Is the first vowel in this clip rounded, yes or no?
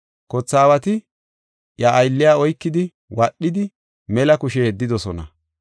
yes